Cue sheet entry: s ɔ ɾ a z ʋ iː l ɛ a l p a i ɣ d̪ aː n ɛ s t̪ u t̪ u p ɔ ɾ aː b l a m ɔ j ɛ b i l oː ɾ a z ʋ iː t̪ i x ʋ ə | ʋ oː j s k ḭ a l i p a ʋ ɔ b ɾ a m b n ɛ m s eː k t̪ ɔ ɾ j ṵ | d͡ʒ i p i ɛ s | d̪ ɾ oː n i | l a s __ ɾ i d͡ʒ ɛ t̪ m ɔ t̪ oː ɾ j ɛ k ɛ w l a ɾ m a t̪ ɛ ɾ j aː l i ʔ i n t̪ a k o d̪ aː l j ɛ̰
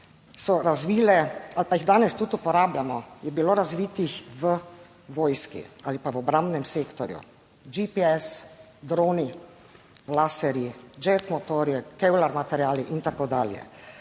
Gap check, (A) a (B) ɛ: B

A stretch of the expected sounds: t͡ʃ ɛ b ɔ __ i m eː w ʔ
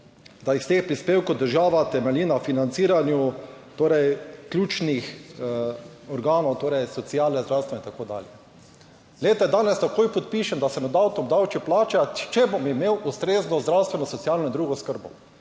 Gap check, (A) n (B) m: B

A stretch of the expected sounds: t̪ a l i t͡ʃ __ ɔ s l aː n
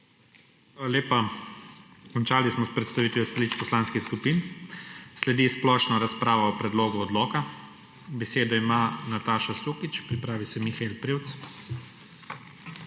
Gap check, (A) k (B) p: B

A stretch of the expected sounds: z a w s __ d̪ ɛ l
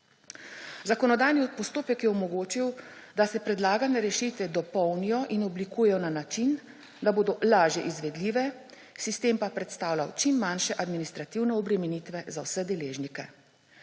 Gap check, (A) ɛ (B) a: A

